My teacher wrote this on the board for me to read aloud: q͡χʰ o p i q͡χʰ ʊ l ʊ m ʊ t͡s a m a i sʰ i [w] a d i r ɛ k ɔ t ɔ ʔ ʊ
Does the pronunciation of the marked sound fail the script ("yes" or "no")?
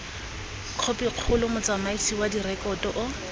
no